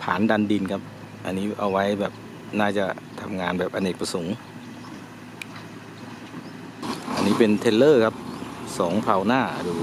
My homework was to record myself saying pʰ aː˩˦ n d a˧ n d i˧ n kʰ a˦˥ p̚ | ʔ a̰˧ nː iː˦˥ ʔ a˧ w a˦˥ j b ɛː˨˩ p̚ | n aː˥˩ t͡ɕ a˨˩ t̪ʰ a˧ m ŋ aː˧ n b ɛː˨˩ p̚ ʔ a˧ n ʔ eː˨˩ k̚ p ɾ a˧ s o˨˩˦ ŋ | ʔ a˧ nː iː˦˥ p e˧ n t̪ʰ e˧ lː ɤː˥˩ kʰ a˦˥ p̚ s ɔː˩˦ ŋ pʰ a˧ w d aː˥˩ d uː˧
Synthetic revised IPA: pʰ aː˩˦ n d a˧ n d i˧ n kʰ a˦˥ p̚ | ʔ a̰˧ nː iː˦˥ ʔ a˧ w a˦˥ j b ɛː˨˩ p̚ | n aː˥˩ t͡ɕ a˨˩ t̪ʰ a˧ m ŋ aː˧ n b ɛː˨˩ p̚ ʔ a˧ n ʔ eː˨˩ k̚ p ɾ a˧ s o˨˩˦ ŋ | ʔ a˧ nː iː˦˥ p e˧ n t̪ʰ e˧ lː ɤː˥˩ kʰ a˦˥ p̚ s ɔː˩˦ ŋ pʰ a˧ w n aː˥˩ d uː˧